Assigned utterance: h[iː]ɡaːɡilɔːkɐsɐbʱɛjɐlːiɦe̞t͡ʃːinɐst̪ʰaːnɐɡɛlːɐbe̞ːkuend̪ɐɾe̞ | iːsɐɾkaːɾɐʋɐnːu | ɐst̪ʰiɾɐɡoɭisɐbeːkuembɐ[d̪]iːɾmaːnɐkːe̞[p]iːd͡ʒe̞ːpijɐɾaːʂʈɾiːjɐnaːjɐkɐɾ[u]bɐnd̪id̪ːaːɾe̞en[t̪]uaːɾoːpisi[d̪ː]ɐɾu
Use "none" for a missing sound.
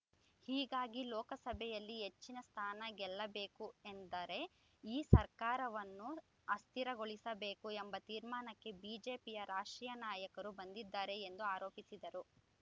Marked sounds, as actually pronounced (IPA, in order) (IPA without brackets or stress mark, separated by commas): iː, t̪, b, u, d̪, d̪